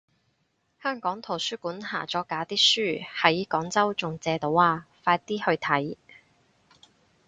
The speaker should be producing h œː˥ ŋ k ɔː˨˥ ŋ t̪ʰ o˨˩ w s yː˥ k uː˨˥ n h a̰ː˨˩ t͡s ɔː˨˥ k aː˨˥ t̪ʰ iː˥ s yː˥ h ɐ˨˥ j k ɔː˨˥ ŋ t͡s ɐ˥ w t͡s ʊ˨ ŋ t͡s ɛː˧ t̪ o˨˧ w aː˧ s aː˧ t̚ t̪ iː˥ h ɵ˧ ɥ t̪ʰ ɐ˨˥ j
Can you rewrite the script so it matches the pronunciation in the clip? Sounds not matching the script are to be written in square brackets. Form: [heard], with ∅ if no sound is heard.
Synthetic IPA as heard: h œː˥ ŋ k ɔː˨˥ ŋ t̪ʰ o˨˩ w s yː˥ k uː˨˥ n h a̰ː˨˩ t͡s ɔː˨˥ k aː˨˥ [t̪] iː˥ s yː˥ h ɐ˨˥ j k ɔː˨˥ ŋ t͡s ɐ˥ w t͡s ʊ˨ ŋ t͡s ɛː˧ t̪ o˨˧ w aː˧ [f] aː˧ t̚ t̪ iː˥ h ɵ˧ ɥ t̪ʰ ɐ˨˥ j